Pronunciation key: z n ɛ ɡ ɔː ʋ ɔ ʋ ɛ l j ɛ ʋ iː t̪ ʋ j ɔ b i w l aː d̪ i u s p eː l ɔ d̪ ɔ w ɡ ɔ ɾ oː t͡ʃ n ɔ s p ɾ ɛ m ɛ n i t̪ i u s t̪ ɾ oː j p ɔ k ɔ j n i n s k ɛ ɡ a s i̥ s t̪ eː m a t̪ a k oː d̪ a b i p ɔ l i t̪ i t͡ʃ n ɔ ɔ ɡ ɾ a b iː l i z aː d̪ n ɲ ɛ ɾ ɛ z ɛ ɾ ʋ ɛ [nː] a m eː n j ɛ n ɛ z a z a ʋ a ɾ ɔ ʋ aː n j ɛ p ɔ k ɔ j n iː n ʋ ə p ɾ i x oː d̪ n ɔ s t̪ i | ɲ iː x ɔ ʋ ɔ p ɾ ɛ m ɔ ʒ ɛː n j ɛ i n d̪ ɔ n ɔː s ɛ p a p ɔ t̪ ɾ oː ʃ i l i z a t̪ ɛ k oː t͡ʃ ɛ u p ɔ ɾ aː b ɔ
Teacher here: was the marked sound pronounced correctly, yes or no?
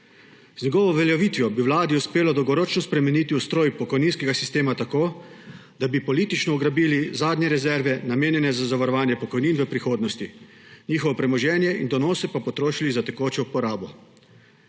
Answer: no